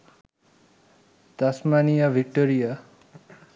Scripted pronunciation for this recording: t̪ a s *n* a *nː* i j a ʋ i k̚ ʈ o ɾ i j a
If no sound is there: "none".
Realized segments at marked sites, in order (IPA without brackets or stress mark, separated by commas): m, n